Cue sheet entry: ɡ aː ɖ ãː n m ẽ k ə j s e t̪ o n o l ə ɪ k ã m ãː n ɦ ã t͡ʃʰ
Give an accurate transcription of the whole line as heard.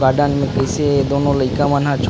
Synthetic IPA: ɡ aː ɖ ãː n m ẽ k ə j s e d̪ o n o l ə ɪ k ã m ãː n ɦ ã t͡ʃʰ